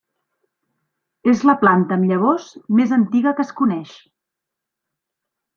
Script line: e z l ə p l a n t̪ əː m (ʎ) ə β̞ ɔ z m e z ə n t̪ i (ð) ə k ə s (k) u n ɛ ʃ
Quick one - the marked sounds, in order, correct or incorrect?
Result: correct, incorrect, correct

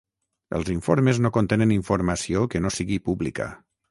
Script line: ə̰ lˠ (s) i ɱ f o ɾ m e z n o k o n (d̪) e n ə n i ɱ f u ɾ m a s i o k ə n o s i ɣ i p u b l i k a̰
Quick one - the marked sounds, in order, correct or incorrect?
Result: incorrect, incorrect

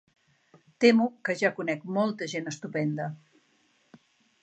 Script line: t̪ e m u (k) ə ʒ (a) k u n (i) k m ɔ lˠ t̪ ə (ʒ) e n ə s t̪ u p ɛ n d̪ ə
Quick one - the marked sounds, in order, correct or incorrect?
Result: correct, correct, incorrect, correct

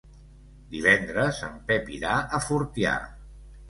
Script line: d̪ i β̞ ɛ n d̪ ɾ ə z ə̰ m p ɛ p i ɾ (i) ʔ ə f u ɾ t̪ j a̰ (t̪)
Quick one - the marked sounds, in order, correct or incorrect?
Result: incorrect, incorrect

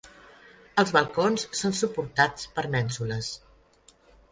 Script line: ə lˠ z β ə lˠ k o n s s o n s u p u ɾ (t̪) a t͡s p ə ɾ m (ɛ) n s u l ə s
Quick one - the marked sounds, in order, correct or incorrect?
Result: correct, correct

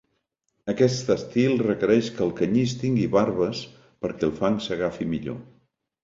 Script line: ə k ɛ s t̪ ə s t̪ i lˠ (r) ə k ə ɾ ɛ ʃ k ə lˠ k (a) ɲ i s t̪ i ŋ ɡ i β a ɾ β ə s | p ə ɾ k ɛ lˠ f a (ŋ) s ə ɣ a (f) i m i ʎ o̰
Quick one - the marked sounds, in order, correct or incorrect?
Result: correct, incorrect, correct, correct

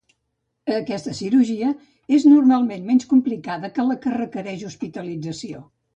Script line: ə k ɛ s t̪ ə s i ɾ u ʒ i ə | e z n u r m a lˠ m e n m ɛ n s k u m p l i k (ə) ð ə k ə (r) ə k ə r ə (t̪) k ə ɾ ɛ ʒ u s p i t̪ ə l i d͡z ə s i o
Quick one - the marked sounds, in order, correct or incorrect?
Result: incorrect, incorrect, incorrect

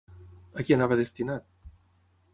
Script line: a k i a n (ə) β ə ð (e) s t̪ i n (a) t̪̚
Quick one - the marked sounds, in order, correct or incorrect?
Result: incorrect, correct, correct

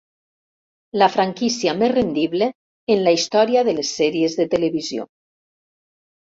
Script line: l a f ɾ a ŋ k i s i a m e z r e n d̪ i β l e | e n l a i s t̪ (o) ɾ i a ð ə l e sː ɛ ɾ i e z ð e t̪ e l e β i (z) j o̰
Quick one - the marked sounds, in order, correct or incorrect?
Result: incorrect, correct

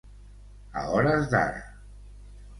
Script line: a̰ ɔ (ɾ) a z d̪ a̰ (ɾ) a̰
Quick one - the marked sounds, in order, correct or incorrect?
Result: correct, correct

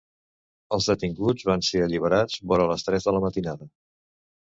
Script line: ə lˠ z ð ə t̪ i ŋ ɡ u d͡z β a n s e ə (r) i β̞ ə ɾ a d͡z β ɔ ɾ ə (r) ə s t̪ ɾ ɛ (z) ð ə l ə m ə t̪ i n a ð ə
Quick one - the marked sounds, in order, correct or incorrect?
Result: incorrect, incorrect, correct

